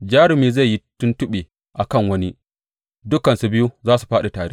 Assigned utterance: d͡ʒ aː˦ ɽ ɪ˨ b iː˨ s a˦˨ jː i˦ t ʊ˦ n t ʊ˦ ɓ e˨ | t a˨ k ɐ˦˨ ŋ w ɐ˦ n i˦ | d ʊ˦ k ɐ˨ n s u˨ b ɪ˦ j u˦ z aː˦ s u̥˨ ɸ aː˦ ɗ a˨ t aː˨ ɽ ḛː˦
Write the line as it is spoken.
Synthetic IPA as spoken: d͡ʒ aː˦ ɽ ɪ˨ m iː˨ z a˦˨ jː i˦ t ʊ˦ n t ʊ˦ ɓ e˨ | ʔ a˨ k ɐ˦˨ ŋ w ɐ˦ n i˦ | d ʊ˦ k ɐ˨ n s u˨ b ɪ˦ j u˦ z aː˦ s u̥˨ ɸ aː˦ ɗ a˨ t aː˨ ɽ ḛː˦